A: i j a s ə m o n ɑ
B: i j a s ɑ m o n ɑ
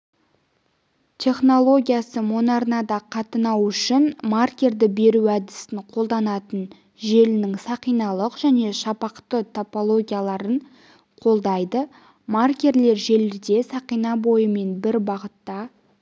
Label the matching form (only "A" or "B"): A